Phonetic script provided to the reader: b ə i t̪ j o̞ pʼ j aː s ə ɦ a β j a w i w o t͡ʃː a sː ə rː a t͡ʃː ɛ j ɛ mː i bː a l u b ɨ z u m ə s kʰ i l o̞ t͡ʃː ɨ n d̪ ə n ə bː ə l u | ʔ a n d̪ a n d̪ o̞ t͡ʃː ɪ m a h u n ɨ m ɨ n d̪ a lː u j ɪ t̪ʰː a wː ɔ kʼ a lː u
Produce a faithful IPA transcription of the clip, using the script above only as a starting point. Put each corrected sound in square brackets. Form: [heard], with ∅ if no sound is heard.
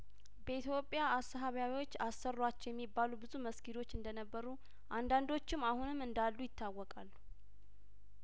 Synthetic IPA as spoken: b ə i t̪ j o̞ pʼ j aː s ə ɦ a β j a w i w o t͡ʃː a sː ə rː a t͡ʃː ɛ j ɛ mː i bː a l u b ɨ z u m ə s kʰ i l o̞ t͡ʃː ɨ n d̪ ə n ə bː ə [ɾ] u | ʔ a n d̪ a n d̪ o̞ t͡ʃː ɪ m a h u n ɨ m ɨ n d̪ a lː u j ɪ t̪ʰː a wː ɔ kʼ a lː u